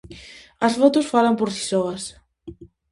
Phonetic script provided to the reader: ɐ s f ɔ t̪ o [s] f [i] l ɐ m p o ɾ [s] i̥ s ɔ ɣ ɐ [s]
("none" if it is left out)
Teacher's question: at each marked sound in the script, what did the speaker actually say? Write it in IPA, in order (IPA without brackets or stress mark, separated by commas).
s, a, s, s